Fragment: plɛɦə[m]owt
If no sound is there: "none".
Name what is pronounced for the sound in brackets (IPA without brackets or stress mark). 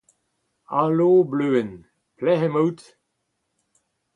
m